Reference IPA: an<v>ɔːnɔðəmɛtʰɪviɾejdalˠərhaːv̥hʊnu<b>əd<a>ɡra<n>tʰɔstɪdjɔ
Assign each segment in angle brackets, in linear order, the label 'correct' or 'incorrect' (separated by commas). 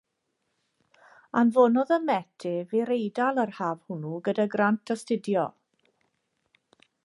correct, incorrect, correct, correct